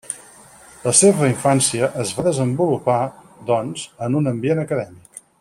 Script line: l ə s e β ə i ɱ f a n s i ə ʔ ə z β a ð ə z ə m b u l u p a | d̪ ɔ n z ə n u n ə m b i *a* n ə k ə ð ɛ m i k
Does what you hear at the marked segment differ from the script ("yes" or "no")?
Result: yes